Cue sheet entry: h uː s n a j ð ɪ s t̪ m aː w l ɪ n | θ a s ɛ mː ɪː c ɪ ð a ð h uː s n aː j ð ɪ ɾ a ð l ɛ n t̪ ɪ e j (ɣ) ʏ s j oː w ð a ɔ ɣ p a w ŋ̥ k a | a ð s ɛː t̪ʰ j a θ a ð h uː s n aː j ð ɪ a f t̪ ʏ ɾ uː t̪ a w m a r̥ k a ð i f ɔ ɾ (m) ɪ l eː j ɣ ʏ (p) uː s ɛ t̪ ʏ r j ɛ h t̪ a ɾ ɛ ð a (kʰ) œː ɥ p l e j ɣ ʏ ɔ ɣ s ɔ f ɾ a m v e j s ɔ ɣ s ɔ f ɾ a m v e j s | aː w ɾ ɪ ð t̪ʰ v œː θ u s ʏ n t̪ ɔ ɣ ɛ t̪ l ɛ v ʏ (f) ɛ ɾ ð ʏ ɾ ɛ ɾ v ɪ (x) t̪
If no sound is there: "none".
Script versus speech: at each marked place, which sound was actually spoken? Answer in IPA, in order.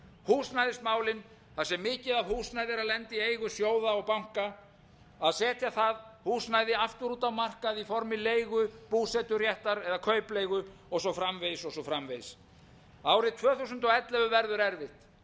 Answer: ɣ, m, p, kʰ, v, h

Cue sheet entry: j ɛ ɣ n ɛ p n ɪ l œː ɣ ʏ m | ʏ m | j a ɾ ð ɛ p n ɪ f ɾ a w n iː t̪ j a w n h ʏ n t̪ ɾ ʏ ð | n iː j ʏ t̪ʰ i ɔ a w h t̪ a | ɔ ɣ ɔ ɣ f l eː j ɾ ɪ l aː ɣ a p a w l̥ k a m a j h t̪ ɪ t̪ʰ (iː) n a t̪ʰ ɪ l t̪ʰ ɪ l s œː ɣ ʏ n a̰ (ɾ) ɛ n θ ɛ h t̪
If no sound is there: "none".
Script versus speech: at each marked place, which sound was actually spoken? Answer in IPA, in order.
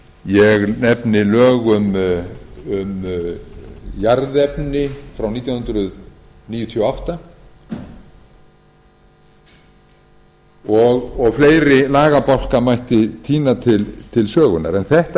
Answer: iː, ɾ

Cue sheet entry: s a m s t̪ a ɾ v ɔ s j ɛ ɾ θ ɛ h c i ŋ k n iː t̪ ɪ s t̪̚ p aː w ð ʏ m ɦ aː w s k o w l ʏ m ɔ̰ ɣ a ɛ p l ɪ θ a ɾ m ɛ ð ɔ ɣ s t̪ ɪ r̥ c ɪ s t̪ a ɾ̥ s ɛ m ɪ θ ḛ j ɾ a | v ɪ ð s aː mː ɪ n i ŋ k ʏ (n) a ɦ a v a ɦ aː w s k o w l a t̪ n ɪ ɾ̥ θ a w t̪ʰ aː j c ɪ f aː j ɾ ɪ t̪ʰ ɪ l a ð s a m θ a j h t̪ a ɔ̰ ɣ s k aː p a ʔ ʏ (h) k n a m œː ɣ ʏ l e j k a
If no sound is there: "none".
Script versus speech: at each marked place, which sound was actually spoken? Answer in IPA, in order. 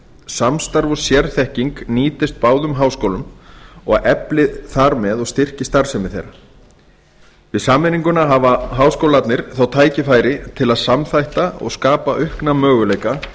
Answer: n, h

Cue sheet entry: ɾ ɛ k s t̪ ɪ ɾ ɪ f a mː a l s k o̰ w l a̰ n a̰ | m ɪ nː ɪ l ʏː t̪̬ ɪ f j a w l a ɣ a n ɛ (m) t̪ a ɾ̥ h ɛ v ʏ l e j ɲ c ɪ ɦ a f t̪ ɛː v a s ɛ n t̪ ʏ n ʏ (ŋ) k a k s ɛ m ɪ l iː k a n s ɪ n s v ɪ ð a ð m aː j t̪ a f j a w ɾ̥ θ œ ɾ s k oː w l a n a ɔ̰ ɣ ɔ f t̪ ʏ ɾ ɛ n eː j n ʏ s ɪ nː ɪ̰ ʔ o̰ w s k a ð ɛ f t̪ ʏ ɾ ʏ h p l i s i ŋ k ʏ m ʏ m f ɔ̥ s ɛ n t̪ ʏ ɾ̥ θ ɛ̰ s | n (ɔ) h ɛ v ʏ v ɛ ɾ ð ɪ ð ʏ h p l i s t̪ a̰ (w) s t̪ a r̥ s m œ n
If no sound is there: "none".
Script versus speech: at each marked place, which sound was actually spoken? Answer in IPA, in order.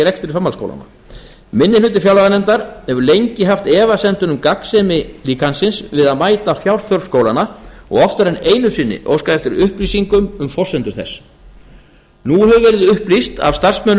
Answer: n, m, u, v

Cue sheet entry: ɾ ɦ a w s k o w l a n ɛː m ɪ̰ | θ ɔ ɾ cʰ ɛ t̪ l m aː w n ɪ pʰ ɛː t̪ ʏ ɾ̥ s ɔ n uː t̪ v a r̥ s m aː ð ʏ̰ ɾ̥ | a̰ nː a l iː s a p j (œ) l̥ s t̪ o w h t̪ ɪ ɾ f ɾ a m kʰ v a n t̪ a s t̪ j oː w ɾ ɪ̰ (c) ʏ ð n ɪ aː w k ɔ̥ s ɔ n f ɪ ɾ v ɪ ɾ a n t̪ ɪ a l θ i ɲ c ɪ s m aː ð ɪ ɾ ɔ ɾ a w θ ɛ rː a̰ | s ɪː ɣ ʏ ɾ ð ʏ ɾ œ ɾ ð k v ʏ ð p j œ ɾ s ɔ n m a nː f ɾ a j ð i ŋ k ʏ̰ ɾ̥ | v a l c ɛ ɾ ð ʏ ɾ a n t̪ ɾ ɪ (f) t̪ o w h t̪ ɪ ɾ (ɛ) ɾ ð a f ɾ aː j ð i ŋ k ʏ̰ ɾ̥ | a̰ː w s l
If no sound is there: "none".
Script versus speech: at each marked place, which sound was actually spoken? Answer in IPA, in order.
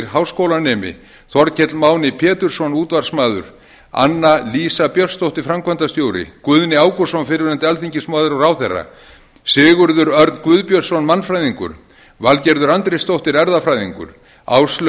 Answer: œ, k, s, ɛ

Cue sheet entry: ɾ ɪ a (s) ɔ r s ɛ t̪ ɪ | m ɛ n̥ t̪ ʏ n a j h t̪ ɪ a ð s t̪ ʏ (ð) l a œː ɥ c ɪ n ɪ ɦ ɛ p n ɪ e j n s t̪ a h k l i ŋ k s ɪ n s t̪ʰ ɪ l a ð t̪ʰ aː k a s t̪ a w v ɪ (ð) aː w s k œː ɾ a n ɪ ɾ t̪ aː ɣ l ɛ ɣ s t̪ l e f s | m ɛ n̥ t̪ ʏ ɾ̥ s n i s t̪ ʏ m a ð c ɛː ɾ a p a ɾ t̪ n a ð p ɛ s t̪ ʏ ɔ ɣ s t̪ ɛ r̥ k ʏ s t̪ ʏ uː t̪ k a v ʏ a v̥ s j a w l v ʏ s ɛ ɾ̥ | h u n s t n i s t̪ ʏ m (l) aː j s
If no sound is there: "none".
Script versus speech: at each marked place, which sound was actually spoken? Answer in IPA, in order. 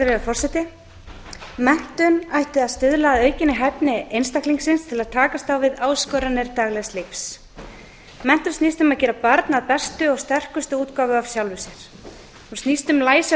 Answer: f, ð, ð, l

